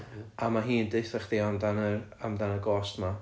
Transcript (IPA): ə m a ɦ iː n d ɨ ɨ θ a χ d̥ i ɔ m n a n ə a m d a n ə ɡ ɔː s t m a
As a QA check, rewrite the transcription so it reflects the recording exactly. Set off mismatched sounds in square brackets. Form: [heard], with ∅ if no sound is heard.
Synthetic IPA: [a] m a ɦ iː n d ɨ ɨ θ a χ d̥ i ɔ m [d] a n ə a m d a n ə ɡ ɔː s t m a